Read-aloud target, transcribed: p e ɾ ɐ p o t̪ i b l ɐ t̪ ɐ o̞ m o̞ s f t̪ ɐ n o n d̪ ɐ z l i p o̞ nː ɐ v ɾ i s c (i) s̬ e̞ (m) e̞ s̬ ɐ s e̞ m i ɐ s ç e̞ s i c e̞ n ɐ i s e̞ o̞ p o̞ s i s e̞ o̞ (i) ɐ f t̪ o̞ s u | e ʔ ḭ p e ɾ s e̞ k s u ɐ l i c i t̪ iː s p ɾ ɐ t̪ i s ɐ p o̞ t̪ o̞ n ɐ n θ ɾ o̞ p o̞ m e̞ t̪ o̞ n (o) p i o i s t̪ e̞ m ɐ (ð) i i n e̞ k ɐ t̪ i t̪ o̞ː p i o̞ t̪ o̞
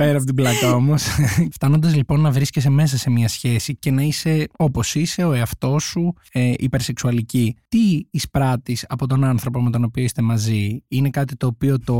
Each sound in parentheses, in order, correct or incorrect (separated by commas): incorrect, correct, incorrect, correct, incorrect